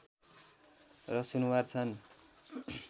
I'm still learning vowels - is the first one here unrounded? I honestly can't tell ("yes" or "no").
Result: yes